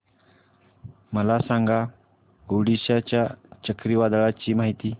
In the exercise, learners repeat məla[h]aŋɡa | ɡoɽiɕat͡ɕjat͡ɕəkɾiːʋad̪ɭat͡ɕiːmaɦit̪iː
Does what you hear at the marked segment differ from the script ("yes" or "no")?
yes